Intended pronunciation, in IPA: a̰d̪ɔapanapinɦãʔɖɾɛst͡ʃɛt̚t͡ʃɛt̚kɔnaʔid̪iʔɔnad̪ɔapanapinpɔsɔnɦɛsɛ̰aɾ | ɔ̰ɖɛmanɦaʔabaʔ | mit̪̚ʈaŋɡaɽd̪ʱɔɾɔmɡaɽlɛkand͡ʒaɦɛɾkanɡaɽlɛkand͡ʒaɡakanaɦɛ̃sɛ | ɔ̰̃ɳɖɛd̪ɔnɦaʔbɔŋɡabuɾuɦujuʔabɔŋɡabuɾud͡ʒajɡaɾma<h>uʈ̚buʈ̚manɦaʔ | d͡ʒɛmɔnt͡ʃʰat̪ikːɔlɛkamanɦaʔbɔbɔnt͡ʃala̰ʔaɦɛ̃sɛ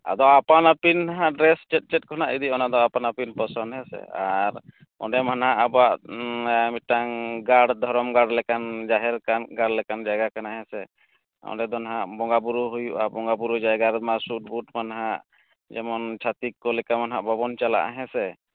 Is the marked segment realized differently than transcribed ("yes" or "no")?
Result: yes